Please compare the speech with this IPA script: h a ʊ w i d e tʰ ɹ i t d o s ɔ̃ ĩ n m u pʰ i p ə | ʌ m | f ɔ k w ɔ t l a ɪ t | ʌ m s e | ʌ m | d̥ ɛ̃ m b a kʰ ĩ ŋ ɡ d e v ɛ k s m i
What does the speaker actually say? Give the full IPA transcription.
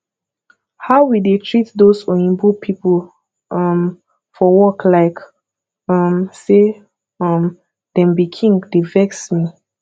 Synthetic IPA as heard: h a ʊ w i d e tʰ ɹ i t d o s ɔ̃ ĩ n b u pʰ i p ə | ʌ m | f ɔ w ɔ k l a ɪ k | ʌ m s e | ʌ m | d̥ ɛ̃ m b i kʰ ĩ ŋ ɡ d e v ɛ k s m i